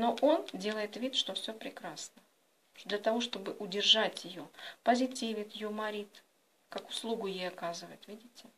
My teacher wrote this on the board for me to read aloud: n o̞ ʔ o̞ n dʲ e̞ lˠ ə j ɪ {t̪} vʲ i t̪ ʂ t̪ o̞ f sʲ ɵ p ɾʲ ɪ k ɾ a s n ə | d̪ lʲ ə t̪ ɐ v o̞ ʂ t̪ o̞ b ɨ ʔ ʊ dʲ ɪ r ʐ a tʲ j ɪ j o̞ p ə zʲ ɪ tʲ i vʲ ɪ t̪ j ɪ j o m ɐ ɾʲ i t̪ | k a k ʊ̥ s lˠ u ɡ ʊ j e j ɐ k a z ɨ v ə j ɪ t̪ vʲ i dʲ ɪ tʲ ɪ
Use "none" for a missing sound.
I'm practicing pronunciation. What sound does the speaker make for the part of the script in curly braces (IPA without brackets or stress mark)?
t̪